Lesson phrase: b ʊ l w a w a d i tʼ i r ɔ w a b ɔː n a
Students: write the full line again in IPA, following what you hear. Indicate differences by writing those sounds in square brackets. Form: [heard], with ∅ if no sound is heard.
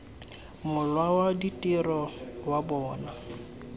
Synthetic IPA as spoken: [m] ʊ l w a w a d i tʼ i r ɔ w a b ɔː n a